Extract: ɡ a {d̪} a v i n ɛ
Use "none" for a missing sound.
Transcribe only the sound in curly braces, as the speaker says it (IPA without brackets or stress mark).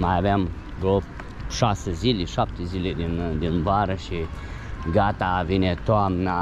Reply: t̪